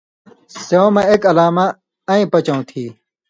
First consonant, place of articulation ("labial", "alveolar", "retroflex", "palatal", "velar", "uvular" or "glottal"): alveolar